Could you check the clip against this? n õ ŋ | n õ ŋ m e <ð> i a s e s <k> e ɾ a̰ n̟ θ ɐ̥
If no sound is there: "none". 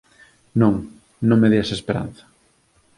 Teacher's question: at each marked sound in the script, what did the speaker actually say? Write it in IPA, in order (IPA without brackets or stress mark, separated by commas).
ð, p